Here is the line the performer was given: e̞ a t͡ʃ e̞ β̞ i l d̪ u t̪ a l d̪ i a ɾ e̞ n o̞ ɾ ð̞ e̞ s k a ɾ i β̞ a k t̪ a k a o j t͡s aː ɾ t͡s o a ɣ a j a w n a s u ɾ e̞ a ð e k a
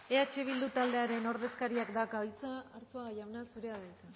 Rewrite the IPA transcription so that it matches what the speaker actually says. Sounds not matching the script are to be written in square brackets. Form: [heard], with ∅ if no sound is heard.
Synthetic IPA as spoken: e̞ a t͡ʃ e̞ β̞ i l d̪ u t̪ a l d̪ [e] a ɾ e̞ n o̞ ɾ ð̞ e̞ s k a ɾ i [∅] a k [d̪] a k a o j t͡s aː ɾ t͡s o a ɣ a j a w n a s u ɾ e̞ a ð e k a